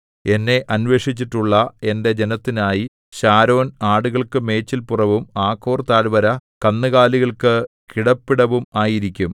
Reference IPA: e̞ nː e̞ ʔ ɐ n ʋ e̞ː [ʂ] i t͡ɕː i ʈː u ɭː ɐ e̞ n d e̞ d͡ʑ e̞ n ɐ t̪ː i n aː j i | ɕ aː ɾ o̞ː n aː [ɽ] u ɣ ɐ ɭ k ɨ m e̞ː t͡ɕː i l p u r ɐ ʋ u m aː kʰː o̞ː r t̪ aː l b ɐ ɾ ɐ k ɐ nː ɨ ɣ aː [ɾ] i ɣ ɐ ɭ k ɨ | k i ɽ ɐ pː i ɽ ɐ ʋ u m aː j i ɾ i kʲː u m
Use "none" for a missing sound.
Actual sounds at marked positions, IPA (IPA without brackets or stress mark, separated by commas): ʂ, ɽ, l